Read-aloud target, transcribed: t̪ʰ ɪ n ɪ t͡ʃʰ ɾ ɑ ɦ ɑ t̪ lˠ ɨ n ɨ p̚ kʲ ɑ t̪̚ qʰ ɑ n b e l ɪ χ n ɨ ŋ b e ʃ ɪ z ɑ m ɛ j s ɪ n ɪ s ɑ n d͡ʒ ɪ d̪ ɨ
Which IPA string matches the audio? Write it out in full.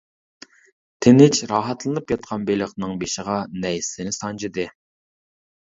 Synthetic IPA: t̪ʰ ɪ n ɪ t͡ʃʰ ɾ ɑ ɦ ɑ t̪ lˠ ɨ n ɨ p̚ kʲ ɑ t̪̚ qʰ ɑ n b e l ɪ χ n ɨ ŋ b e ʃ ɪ ʁ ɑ n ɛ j s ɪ n ɪ s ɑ n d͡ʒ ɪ d̪ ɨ